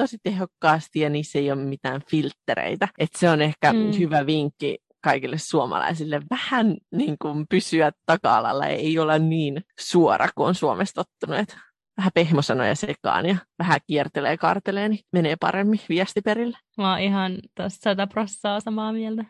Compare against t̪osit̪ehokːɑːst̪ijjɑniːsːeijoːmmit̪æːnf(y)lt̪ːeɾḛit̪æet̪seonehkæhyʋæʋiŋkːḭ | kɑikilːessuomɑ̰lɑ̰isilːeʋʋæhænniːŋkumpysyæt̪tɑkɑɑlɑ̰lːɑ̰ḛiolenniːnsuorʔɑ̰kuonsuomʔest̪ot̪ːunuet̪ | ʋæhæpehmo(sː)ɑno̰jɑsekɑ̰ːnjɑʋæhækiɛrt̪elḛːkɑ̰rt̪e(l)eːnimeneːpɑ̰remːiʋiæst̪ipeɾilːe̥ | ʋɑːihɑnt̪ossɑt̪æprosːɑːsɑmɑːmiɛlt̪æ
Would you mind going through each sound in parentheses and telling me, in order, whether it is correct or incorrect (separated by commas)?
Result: incorrect, incorrect, correct